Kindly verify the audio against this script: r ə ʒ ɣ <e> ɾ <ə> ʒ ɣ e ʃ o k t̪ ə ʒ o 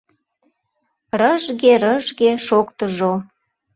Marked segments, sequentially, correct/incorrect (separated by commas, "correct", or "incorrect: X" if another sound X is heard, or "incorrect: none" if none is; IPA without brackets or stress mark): correct, correct